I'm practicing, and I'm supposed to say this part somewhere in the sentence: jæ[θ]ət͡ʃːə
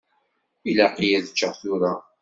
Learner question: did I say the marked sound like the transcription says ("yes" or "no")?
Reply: no